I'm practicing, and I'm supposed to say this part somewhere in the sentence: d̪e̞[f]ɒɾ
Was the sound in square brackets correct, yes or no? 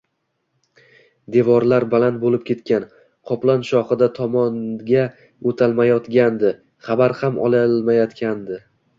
no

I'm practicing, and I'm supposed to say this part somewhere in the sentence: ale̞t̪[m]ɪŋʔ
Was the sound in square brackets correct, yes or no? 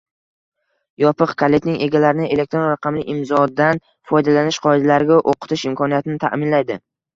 no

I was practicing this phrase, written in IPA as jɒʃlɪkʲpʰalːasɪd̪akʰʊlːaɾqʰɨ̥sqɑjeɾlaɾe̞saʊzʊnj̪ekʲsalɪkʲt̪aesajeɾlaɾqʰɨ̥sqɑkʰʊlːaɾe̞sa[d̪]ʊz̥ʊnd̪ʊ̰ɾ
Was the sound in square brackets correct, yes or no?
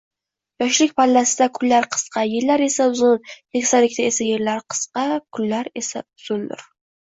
no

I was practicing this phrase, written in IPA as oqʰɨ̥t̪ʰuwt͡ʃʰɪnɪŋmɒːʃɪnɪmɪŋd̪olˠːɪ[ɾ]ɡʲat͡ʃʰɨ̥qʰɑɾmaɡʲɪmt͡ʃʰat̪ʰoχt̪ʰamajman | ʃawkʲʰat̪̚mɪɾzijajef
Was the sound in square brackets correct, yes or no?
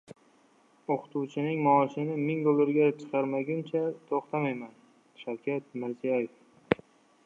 yes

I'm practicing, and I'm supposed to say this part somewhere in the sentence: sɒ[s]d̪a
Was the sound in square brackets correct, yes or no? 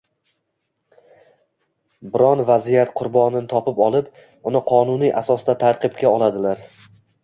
yes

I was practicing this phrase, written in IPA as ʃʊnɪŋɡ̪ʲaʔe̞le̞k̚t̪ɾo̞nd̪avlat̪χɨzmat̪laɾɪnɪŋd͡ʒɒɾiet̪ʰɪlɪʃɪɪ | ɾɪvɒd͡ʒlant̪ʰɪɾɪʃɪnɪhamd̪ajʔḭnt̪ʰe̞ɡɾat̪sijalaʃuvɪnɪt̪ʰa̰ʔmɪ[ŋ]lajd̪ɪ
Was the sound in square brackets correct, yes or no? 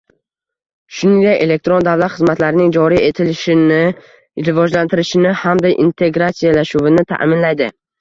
no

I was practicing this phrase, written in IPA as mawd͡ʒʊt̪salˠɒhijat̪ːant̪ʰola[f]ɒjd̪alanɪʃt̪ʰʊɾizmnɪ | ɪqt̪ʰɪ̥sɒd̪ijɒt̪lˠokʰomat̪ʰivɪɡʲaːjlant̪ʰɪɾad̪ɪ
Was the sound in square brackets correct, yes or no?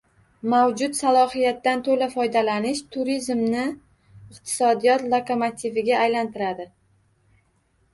yes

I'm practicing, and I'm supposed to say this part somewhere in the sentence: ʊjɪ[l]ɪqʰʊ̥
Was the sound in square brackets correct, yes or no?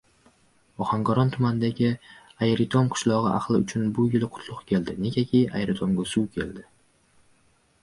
yes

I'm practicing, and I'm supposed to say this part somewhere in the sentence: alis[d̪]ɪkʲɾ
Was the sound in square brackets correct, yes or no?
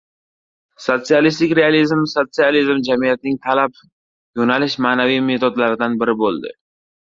no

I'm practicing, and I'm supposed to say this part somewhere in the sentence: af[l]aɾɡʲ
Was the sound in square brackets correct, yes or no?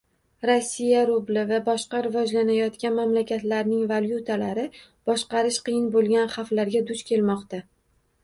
yes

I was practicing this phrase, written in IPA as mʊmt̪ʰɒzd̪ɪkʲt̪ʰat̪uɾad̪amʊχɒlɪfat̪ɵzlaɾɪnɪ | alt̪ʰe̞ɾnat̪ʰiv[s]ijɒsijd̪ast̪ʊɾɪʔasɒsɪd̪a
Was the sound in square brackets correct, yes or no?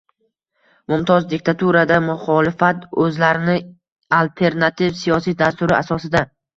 yes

